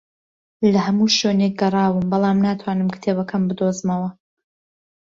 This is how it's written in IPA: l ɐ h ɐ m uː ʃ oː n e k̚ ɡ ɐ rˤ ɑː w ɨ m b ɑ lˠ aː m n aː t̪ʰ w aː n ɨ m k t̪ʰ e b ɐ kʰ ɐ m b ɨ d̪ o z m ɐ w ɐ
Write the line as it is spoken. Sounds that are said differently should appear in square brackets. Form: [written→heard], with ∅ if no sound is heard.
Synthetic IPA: l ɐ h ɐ m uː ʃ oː n e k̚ ɡ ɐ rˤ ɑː w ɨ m b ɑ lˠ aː m n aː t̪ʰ w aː n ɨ m k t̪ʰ e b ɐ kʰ ɐ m b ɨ d̪ o z m ɐ w ɐ